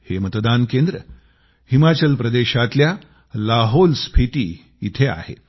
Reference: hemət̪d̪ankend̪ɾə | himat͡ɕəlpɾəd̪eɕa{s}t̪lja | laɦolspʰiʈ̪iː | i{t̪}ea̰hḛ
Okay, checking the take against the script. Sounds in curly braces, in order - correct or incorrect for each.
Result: incorrect: none, incorrect: t̪ʰ

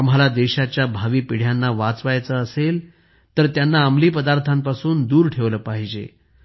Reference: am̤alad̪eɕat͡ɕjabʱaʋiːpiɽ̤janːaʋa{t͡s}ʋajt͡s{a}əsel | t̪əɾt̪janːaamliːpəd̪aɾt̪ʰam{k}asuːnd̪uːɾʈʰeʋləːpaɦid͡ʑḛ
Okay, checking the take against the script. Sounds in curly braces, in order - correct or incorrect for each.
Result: correct, incorrect: ə, incorrect: p

